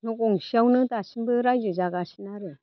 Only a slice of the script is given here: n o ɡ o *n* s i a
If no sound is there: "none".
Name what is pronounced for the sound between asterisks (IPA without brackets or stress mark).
ŋ